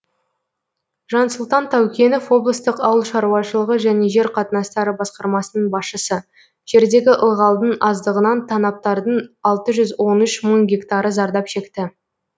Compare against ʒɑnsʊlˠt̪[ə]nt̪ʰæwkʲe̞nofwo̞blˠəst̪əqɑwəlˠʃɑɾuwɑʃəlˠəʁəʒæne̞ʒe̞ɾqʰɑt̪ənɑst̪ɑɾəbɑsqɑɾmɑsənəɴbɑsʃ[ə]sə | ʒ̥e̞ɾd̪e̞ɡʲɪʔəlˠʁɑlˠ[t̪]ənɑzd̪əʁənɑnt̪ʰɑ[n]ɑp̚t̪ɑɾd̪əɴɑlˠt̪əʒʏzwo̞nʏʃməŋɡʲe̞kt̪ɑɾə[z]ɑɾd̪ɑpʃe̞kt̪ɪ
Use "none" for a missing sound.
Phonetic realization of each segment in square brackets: ɑ, ə, d̪, n, z

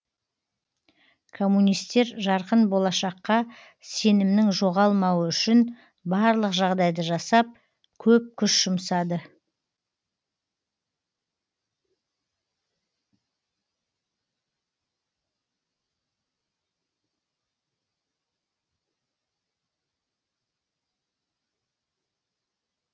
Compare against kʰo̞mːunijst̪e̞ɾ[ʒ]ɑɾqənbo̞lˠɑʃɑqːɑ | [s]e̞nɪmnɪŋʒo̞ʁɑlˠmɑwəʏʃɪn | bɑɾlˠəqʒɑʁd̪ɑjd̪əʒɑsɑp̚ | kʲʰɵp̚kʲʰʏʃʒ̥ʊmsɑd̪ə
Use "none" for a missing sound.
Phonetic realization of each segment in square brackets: ʒ, s

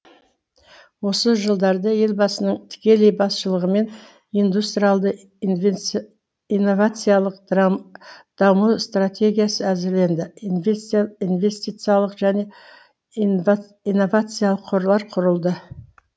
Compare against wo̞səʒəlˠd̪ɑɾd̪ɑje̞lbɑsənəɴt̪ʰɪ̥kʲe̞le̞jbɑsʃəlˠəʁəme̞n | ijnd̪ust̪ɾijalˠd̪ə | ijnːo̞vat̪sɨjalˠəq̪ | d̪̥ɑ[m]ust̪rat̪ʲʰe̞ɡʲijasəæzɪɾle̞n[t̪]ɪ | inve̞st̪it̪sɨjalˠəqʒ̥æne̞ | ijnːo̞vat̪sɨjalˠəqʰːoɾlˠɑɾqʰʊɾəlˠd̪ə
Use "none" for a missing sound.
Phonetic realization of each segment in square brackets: m, d̪

